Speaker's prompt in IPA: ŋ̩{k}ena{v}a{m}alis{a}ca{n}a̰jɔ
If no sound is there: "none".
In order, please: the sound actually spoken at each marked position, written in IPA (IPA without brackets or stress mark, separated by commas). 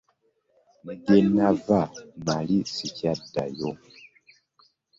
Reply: ɡ, v, m, i, d